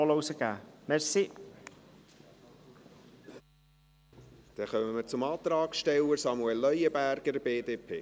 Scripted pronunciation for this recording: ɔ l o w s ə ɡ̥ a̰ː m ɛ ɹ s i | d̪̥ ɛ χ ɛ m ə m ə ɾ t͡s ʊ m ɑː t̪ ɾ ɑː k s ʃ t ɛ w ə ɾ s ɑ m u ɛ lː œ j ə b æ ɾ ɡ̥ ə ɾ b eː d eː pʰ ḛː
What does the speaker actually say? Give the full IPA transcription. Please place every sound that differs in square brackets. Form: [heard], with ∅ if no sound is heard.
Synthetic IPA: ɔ l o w s ə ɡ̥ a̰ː m ɛ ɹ s i | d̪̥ ɛ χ [œ] m ə m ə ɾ t͡s ʊ m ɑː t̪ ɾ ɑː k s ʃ t ɛ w ə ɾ s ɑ m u ɛ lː œ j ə b æ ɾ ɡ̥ ə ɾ b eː d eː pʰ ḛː